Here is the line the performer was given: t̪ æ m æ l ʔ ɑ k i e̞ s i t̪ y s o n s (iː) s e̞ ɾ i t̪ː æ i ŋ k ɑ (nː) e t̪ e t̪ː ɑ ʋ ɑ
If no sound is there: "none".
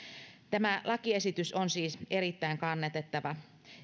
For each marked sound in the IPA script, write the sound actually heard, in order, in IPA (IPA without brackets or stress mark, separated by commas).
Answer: iː, nː